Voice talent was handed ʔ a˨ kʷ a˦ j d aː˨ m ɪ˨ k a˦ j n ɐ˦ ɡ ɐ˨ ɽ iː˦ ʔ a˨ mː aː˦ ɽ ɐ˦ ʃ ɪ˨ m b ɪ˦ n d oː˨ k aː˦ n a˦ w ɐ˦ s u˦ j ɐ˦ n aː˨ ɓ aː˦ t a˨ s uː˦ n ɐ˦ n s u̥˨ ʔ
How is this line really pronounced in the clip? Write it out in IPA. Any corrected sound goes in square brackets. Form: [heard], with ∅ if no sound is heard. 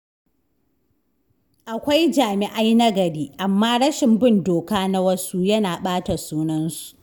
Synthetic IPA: ʔ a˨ kʷ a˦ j [d͡ʒ] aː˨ m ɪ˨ [ʔ] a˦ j n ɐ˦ ɡ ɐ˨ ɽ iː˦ ʔ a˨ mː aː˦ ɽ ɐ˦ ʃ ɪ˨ m b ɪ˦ n d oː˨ k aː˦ n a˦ w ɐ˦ s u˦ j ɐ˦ n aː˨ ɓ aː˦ t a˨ s uː˦ n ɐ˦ n s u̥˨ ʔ